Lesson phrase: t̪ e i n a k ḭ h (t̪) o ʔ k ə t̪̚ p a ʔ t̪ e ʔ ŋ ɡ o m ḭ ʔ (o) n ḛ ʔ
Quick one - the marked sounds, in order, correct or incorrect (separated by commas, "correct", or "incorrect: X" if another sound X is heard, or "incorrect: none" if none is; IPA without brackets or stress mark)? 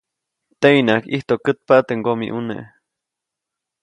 correct, incorrect: u